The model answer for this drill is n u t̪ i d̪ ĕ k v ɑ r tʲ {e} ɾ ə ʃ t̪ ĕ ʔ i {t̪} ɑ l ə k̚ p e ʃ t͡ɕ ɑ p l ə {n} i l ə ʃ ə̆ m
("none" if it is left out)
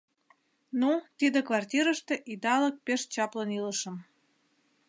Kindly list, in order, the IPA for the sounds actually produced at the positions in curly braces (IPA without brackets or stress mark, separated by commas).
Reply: i, d̪, n